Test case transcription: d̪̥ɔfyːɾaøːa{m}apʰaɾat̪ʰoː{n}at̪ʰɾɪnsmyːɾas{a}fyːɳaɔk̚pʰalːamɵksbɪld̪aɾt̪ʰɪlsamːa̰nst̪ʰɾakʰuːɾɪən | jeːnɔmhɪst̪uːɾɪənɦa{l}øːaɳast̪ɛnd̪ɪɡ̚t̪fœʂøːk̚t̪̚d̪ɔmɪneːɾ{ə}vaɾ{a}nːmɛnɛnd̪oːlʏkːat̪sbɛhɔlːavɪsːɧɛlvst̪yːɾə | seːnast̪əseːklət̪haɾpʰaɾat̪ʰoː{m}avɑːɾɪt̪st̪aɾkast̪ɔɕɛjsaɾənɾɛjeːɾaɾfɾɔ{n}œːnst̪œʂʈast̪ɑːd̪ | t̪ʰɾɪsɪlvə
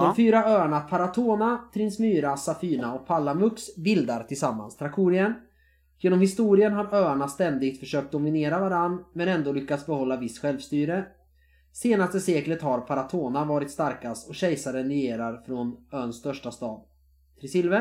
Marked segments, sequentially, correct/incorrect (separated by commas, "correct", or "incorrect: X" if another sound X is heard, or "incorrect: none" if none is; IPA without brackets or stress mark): incorrect: ɳ, correct, correct, incorrect: ɾ, incorrect: a, correct, incorrect: n, correct